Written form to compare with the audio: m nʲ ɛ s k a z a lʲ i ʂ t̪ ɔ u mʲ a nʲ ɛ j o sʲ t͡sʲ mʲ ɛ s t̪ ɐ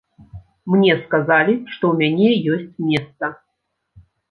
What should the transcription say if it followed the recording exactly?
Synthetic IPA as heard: m nʲ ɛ s k a z a lʲ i ʂ t̪ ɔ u mʲ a nʲ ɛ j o sʲ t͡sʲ mʲ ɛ s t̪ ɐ